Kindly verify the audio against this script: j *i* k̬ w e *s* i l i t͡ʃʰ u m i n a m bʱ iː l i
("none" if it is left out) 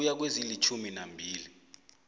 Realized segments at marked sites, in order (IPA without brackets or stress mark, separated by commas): a, z